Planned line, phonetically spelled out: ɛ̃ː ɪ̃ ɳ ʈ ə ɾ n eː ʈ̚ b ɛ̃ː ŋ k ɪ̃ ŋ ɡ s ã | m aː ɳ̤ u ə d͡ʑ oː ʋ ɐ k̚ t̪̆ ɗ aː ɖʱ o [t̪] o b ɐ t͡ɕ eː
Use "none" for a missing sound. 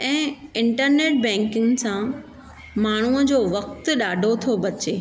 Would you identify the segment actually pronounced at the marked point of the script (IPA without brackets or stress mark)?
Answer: t̪ʰ